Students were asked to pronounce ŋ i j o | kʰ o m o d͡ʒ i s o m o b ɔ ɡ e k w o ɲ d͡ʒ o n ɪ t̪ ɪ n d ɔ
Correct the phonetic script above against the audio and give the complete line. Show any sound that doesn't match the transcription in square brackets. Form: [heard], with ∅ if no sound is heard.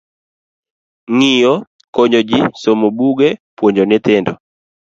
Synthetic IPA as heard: ŋ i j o | [k] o [ɲ] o d͡ʒ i s o m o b [u] ɡ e [p] w o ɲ d͡ʒ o n ɪ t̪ ɪ n d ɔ